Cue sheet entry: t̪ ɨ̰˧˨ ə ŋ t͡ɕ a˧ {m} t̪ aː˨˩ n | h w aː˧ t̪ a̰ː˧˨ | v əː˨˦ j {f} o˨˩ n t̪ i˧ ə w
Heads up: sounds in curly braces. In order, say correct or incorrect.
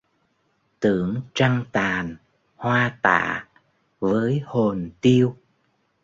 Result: incorrect: ŋ, incorrect: h

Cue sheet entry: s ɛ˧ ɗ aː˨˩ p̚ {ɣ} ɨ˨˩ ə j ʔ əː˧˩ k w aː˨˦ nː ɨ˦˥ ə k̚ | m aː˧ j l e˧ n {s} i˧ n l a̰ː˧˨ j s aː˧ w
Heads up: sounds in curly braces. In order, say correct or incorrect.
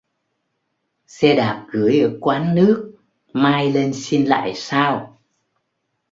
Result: correct, correct

